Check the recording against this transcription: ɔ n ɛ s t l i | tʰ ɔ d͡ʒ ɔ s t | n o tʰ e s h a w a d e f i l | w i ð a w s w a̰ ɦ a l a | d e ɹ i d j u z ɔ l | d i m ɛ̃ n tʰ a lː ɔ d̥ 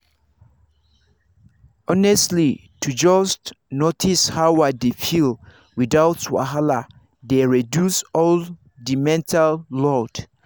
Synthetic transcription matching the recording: ɔ n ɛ s t l i | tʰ u d͡ʒ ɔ s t | n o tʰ i s h a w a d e f i l | w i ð a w t w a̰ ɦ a l a | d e ɹ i d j u s ɔ l | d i m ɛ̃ n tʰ a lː ɔ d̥